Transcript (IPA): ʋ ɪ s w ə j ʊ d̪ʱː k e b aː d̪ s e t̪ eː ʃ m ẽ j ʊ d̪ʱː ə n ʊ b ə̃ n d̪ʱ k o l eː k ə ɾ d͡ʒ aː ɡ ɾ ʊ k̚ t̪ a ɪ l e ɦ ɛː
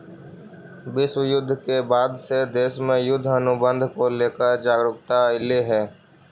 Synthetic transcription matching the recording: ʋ ɪ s w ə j ʊ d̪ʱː k e b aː d̪ s e d̪ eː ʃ m ẽ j ʊ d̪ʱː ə n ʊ b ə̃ n d̪ʱ k o l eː k ə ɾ d͡ʒ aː ɡ ɾ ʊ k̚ t̪ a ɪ l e ɦ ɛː